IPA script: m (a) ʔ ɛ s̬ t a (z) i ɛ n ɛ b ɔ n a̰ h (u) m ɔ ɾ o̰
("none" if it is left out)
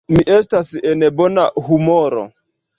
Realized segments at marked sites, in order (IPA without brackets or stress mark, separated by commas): i, s, u